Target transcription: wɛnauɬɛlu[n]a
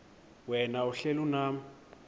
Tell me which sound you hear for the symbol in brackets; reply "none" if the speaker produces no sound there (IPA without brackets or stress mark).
n